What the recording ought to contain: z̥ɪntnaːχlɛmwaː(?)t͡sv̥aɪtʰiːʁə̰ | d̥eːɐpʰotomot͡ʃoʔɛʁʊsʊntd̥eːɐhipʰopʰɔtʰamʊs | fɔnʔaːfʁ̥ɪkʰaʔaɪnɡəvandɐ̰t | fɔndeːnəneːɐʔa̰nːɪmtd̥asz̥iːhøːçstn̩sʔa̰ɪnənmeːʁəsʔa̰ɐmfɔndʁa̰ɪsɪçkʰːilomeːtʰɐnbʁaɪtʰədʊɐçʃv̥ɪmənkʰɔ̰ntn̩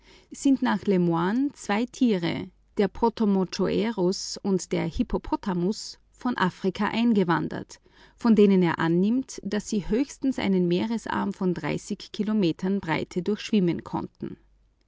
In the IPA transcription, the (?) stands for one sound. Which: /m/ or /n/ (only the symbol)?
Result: n